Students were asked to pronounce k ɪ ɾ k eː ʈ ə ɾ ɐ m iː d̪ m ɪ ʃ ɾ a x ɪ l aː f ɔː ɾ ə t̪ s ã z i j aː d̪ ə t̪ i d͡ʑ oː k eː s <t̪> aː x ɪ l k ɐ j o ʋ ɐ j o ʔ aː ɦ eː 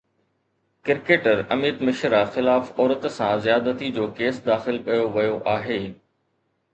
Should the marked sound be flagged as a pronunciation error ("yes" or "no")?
yes